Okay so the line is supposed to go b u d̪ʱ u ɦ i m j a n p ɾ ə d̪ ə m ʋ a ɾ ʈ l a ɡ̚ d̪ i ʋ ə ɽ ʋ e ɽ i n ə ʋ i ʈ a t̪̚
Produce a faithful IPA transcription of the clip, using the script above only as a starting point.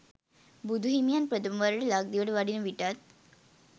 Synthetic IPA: b u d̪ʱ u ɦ i m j a n p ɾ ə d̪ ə m ʋ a ɾ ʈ l a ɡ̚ d̪ i ʋ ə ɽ ʋ a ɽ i n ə ʋ i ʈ a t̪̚